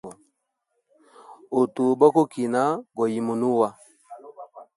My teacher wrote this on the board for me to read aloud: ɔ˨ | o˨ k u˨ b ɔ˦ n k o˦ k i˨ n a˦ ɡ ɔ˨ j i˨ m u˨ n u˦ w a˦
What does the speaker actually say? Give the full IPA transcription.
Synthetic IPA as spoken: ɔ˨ | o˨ t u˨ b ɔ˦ k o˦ k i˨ n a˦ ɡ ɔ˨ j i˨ m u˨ n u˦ w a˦